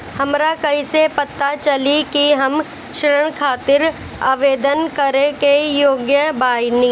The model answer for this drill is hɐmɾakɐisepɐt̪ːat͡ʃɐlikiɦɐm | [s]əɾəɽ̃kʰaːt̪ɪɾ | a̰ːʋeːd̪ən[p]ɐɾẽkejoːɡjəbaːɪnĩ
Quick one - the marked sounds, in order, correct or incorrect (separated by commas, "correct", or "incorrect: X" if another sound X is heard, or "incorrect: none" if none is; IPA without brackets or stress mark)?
incorrect: ʃ, incorrect: k